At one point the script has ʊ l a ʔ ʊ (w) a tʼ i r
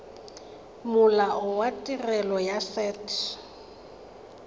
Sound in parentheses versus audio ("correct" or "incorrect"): correct